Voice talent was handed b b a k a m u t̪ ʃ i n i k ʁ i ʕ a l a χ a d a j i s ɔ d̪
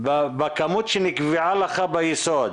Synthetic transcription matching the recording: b b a k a m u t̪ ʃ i n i k v i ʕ a l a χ a b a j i s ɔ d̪